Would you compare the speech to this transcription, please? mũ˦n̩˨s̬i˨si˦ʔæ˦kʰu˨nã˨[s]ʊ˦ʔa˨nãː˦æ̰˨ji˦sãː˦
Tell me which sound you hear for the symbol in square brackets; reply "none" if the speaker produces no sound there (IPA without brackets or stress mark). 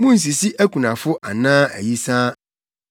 f